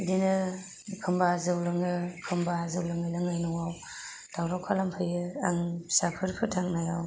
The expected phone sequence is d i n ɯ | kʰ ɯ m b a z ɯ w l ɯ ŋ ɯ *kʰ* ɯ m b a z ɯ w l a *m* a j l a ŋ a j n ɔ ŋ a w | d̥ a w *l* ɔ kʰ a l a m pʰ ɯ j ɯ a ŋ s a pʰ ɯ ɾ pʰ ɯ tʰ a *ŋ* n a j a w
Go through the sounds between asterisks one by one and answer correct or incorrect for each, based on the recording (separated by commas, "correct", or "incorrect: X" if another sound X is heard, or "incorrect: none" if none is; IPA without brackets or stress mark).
correct, incorrect: ŋ, incorrect: ɾ, correct